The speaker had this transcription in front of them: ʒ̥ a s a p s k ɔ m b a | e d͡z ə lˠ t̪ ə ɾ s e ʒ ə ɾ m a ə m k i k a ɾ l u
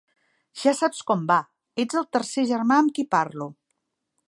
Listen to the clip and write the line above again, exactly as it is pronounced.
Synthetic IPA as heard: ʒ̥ a s a p s k ɔ m b a | e d͡z ə lˠ t̪ ə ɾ s e ʒ ə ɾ m a ə m k i p a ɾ l u